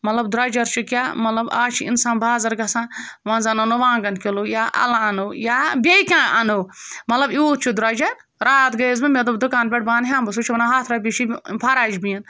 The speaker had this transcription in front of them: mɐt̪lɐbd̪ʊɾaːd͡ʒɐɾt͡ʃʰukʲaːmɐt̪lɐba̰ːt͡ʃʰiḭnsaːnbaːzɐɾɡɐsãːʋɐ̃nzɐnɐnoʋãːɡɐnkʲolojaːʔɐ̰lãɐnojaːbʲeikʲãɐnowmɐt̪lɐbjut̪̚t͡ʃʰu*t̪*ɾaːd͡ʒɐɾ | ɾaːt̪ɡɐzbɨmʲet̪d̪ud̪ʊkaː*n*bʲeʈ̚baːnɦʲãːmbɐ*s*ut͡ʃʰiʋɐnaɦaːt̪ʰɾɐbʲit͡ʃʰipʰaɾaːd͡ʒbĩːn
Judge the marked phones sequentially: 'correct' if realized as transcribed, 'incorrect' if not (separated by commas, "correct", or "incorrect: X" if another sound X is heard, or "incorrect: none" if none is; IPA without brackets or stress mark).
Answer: incorrect: d̪, correct, correct